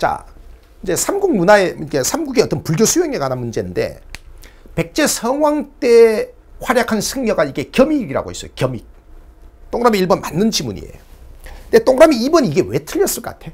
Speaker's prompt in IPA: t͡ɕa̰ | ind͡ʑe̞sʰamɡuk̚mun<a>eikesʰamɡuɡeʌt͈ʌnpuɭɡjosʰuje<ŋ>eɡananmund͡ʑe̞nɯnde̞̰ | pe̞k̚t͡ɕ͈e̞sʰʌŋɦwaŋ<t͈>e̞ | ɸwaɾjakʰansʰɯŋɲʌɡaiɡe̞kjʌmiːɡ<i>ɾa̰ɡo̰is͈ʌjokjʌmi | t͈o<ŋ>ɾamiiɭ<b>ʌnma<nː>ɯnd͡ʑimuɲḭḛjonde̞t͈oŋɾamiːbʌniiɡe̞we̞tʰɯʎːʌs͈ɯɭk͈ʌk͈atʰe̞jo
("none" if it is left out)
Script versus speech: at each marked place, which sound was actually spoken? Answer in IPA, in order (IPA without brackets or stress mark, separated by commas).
a, ŋ, t͈, i, ŋ, b, nː